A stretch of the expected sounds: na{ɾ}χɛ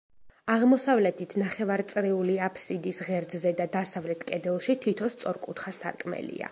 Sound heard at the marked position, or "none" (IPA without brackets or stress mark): none